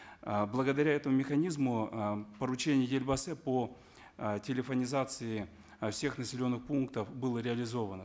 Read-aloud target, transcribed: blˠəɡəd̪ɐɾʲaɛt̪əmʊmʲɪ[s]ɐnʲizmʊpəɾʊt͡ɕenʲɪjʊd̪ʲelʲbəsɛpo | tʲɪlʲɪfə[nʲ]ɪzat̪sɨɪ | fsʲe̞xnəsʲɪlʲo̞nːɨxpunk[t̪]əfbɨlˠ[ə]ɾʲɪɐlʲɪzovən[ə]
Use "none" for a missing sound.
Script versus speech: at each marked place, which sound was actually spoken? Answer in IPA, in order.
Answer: x, nʲ, t̪, ə, ə

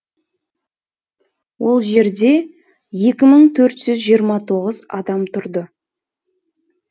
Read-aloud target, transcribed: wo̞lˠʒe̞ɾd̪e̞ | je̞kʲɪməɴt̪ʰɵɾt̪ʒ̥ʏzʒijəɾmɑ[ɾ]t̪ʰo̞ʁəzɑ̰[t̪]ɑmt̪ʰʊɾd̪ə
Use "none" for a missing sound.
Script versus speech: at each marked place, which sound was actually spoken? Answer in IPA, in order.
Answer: none, d̪

